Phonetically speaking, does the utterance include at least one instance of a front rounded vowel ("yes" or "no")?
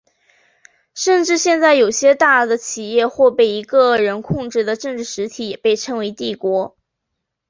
no